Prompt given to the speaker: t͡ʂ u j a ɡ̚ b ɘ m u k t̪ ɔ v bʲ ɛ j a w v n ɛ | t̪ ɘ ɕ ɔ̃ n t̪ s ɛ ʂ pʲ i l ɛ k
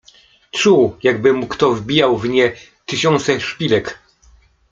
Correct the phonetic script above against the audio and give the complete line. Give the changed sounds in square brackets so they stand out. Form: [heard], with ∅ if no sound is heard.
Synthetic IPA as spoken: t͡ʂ u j a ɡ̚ b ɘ m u k t̪ ɔ v bʲ [i] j a w v [ɲ] ɛ | t̪ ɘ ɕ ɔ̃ n t̪ s ɛ ʂ pʲ i l ɛ k